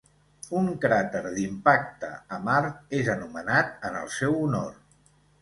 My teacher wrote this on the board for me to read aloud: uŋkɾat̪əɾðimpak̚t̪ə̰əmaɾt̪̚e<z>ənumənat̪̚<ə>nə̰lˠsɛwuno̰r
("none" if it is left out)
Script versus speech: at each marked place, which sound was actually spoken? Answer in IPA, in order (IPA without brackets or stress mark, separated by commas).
z, ə